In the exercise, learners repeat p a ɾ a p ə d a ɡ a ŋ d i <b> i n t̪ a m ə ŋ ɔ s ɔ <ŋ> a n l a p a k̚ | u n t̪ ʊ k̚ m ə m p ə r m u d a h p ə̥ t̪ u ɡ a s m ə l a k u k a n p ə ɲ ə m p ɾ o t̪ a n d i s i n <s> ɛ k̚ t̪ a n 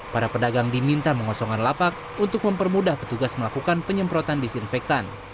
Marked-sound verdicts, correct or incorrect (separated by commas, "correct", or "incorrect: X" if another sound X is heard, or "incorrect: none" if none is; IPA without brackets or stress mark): incorrect: m, correct, incorrect: f